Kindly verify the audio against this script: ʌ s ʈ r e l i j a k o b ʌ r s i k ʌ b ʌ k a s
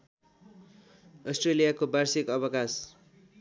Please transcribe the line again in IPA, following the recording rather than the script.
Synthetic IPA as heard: ʌ s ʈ r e l i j a k o b a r s i k ʌ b ʌ k a s

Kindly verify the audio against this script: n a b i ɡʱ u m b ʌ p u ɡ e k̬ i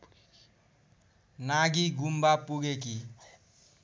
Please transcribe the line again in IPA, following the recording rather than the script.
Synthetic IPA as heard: n a ɡ i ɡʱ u m b a p u ɡ e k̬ i

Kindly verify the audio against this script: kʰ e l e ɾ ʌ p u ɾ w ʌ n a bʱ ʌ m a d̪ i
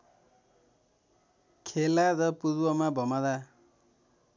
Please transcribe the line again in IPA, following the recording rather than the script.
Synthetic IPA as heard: kʰ e l a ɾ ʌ p u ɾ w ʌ m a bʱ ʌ m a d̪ a

